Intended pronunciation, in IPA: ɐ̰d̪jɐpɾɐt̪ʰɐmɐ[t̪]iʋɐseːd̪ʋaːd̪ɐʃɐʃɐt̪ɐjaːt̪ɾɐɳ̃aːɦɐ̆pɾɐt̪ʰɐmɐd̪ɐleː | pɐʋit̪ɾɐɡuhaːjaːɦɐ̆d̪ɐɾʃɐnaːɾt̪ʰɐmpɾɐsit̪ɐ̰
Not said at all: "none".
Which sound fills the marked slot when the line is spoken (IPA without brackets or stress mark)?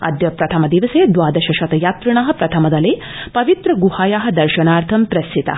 d̪